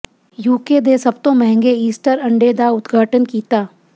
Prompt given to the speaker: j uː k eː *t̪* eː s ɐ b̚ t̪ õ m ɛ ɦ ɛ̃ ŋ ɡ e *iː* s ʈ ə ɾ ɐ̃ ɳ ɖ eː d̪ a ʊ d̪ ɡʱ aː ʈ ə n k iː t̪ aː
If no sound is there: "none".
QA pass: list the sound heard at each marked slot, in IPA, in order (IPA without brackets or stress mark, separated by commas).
d̪, iː